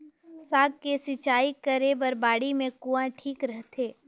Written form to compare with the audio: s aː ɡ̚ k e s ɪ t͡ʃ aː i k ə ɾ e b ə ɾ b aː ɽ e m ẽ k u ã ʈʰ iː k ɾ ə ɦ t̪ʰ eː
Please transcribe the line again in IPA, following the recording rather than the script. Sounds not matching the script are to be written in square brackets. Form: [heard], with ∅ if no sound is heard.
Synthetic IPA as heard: s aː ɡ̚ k e s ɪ t͡ʃ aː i k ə ɾ e b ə ɾ b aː ɽ [i] m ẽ k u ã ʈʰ iː k ɾ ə ɦ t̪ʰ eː